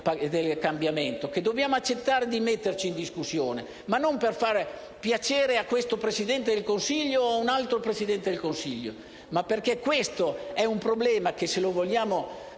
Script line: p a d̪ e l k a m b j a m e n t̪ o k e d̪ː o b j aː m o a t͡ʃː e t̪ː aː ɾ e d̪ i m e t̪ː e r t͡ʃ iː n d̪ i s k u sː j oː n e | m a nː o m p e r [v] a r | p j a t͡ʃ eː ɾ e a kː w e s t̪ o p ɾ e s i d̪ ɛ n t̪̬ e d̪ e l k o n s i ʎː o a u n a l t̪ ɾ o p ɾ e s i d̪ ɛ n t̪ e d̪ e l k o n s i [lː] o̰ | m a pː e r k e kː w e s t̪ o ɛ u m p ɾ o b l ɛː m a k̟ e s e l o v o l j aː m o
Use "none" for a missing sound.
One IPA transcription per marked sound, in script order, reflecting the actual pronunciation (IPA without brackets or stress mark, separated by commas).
f, ʎː